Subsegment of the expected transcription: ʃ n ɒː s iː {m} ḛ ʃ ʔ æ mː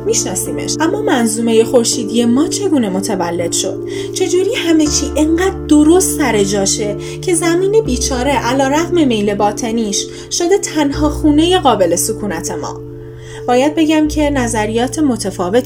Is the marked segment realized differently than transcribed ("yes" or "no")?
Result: no